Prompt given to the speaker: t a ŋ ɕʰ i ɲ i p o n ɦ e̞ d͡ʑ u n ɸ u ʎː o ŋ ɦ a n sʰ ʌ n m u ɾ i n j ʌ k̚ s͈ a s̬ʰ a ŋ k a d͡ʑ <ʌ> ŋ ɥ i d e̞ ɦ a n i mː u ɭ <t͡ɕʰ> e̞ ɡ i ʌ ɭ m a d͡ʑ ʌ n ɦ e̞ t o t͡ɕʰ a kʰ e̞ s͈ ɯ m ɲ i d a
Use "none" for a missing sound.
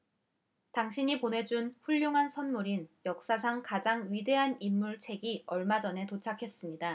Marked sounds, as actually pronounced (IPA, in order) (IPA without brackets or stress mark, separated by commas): a, t͡ɕʰ